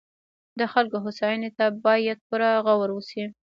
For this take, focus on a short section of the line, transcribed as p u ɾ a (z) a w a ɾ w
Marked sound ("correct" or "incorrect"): incorrect